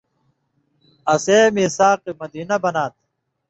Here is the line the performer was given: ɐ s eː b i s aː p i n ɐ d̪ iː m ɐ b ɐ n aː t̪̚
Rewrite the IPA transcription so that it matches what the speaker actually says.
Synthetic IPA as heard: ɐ s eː m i s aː q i m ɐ d̪ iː n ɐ b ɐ n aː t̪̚